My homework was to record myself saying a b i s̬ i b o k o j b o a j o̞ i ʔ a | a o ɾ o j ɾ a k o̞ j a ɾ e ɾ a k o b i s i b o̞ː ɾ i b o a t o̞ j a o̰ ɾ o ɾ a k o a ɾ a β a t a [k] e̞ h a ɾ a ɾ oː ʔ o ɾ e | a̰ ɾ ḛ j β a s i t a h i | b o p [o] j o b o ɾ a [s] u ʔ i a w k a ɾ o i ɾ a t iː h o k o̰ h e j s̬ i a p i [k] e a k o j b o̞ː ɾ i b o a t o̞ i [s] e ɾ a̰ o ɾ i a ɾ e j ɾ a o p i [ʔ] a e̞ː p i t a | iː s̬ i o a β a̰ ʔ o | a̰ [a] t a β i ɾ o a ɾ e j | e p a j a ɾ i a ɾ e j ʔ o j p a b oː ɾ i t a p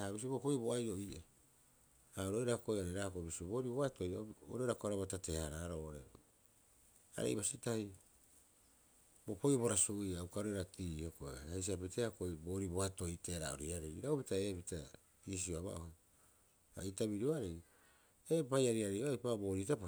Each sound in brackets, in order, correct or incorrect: incorrect: t, correct, correct, incorrect: t, incorrect: t, incorrect: t, incorrect: i

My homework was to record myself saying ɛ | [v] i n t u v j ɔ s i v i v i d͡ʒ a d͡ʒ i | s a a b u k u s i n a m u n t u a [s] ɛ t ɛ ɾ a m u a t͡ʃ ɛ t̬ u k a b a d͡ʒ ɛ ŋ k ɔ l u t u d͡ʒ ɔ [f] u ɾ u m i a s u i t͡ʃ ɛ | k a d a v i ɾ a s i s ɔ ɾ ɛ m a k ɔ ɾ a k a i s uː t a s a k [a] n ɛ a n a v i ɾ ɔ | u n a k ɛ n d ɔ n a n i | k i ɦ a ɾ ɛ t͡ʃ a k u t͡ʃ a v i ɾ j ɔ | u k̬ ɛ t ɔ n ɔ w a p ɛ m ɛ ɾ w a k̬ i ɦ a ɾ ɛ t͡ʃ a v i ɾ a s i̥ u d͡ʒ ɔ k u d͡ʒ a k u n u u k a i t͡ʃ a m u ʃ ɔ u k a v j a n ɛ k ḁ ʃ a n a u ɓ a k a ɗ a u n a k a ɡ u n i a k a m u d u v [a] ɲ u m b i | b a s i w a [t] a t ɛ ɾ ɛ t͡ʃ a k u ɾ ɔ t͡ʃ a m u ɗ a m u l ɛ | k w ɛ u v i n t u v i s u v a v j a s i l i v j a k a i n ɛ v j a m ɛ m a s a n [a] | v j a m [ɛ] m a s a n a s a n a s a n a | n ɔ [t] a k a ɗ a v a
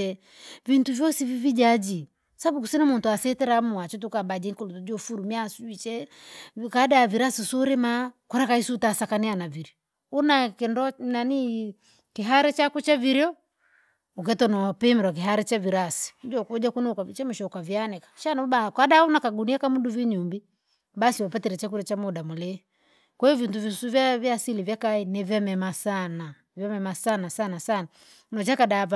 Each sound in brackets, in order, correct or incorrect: correct, correct, correct, correct, incorrect: i, incorrect: p, correct, correct, incorrect: t͡ʃ

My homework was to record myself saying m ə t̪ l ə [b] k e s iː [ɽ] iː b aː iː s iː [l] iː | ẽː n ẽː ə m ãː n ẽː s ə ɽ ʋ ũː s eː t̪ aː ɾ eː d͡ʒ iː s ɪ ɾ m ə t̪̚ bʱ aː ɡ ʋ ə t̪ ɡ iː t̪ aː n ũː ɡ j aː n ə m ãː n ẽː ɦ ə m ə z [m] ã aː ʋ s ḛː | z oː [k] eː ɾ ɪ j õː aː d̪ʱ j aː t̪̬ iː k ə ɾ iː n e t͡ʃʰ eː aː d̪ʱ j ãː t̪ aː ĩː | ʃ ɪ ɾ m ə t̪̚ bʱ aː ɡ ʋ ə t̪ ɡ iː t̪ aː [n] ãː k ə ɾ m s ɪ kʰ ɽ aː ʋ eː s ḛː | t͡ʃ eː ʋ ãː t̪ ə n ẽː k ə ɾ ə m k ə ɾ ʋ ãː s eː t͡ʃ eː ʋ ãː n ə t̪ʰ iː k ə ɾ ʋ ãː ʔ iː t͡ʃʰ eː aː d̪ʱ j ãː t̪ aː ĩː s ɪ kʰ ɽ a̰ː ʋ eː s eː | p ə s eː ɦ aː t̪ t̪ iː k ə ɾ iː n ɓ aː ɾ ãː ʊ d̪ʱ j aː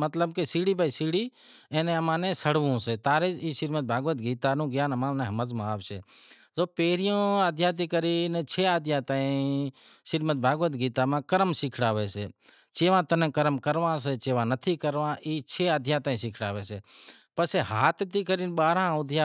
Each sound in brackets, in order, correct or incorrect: correct, correct, incorrect: ɽ, correct, incorrect: p, incorrect: m

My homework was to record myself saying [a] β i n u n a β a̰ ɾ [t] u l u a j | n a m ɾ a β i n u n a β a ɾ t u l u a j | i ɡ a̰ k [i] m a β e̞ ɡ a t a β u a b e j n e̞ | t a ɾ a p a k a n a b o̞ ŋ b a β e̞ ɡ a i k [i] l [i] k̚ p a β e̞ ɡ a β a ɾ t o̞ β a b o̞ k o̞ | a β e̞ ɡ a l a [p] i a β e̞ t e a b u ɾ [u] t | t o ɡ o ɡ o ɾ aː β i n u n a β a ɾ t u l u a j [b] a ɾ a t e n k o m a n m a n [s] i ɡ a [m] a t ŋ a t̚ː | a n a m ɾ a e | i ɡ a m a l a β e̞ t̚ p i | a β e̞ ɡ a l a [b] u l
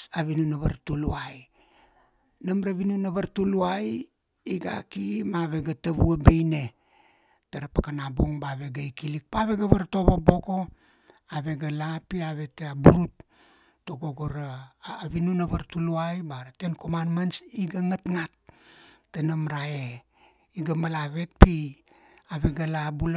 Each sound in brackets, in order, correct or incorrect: correct, correct, correct, correct, correct, correct, correct, correct, correct, incorrect: ŋ, correct

